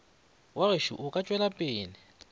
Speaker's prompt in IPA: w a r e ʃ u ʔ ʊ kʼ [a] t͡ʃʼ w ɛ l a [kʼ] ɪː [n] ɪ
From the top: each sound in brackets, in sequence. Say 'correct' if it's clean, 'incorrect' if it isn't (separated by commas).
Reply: correct, incorrect, correct